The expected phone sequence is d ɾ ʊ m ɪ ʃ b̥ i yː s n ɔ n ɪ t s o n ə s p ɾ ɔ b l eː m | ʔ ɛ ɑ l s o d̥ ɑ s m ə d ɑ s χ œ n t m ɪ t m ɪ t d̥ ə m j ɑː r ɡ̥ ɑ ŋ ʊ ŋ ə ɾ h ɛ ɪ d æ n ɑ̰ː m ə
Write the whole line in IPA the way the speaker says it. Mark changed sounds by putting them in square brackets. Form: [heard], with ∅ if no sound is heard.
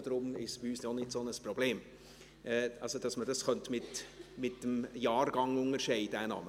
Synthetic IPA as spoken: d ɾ ʊ m ɪ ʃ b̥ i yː s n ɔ n ɪ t s o n ə s p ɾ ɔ b l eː m | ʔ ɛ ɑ l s o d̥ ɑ s m ə d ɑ s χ œ n t m ɪ t m ɪ t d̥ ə m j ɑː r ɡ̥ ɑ ŋ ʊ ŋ ə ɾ [ʃ] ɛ ɪ d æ n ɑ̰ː m ə